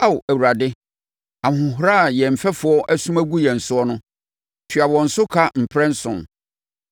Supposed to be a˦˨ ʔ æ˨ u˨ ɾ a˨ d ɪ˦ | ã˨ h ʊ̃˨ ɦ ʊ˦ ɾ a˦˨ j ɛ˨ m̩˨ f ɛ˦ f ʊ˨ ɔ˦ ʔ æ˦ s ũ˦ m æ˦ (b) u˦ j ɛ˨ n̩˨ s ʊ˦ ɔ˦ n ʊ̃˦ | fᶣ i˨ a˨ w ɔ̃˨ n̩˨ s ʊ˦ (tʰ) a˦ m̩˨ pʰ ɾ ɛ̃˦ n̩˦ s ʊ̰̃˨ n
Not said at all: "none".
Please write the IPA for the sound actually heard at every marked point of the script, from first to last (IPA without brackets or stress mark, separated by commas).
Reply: ɡ, kʰ